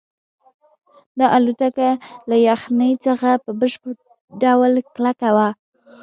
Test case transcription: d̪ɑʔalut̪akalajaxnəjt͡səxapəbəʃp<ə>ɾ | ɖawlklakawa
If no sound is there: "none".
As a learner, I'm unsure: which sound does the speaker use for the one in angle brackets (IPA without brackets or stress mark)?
ə